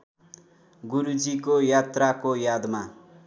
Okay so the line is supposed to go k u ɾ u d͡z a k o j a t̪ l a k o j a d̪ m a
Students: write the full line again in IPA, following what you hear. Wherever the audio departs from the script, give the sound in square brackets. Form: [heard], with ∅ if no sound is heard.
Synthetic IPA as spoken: [ɡ] u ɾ u d͡z [i] k o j a t̪ [r] a k o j a d̪ m a